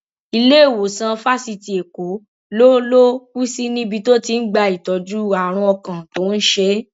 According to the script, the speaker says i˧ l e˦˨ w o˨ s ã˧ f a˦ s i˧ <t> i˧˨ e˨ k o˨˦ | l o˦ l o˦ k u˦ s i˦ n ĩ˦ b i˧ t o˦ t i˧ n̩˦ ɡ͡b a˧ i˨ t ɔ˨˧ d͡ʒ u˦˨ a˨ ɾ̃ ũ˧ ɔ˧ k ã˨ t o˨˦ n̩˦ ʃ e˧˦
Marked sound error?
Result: no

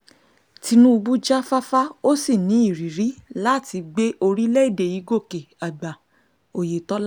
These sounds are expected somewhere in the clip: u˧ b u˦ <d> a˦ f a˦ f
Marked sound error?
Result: yes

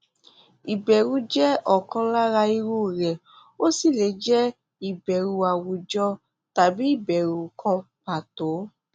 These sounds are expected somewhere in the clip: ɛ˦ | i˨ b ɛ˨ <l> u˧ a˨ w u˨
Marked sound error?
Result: yes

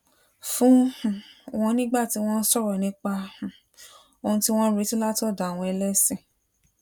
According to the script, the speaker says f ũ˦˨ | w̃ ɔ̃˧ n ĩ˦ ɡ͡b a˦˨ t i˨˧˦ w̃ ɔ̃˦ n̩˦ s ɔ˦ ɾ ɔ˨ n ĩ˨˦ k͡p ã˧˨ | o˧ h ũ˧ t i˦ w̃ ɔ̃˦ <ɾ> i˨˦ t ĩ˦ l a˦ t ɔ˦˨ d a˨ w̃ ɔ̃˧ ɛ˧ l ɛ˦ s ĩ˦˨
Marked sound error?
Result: no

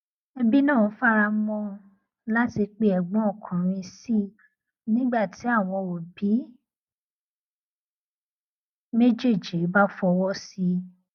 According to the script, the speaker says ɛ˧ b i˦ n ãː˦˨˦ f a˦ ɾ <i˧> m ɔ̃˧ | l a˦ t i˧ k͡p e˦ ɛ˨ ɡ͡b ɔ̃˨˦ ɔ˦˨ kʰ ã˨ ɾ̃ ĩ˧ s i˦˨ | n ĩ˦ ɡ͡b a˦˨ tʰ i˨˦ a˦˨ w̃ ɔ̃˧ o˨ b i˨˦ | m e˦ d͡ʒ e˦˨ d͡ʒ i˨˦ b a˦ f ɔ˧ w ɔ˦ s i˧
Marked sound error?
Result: yes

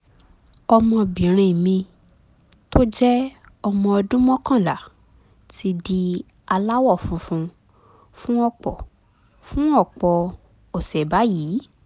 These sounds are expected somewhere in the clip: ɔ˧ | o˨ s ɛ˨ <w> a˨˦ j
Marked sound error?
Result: yes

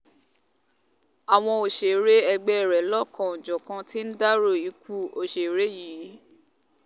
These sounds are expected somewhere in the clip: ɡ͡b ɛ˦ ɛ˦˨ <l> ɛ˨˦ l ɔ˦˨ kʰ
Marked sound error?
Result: yes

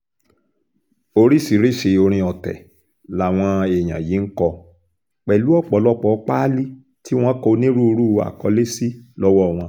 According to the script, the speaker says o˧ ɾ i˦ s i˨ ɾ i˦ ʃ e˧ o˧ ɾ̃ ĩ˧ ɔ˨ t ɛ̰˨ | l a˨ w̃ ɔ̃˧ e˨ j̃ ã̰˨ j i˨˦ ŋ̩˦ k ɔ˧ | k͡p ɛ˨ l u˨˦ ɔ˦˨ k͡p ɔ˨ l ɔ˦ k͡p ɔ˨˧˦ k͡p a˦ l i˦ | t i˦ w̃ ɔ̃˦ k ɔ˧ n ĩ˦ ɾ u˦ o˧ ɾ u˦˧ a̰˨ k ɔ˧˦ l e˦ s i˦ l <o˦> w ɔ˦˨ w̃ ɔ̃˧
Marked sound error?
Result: yes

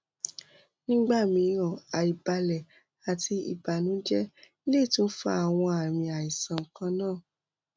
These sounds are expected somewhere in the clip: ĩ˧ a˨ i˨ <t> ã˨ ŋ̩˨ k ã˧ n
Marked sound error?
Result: yes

